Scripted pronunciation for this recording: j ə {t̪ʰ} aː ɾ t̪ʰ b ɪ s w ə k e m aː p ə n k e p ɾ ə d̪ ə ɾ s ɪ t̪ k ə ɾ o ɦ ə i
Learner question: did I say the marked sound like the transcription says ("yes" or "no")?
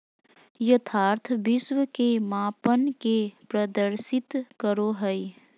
yes